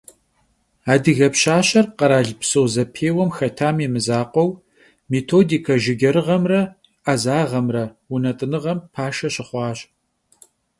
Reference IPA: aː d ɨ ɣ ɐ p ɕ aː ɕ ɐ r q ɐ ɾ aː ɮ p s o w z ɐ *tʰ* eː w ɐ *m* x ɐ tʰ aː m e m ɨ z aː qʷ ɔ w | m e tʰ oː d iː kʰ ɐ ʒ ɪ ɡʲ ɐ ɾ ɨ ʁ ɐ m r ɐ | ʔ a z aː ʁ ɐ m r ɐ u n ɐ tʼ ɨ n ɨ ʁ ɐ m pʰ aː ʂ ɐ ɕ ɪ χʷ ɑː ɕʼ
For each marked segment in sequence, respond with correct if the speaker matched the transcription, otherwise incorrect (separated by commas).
incorrect, correct